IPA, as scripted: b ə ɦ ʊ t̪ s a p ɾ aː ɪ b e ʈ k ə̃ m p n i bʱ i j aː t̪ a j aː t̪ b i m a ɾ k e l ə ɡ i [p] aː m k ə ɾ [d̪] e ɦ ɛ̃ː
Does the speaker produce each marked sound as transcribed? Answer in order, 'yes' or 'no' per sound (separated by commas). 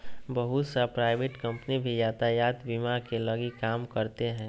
no, no